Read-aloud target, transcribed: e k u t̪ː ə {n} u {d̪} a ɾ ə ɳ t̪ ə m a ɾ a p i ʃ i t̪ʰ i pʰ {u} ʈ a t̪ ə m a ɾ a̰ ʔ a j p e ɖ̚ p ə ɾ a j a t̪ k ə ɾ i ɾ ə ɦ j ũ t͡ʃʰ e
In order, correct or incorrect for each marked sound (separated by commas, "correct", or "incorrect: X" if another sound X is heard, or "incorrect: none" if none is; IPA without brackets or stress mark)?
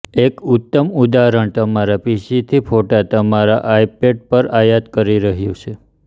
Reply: incorrect: m, correct, incorrect: o